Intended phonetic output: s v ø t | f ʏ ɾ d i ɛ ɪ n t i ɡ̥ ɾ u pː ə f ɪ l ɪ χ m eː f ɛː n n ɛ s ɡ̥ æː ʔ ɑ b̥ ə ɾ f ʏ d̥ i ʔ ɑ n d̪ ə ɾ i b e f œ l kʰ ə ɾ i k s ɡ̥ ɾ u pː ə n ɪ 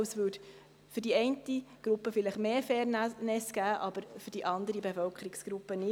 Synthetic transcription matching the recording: s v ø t | f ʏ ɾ d i ɛ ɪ n t i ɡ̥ ɾ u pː ə f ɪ l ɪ χ m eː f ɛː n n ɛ s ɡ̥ æː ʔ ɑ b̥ ə ɾ f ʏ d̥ i ʔ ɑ n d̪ ə ɾ i b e f œ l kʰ ə ɾ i k s ɡ̥ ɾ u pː ə n ɪ